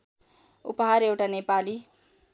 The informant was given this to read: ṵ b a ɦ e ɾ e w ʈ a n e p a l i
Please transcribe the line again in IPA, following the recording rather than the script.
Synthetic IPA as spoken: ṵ p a ɦ a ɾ e w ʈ a n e p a l i